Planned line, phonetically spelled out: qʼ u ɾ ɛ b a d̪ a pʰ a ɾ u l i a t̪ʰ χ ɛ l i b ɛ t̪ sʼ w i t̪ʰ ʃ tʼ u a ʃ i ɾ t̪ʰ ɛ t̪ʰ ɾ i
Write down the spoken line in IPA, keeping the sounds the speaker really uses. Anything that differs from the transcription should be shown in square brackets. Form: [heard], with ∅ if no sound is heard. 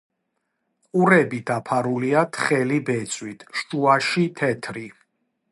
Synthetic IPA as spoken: qʼ u ɾ ɛ b [i] d̪ a pʰ a ɾ u l i a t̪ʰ χ ɛ l i b ɛ t̪ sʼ w i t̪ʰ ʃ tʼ u a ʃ i [∅] t̪ʰ ɛ t̪ʰ ɾ i